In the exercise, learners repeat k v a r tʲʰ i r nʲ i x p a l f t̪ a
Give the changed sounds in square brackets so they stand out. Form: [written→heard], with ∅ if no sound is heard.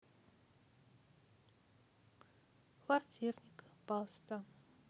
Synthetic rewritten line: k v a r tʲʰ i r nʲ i [x→k] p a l [f→s] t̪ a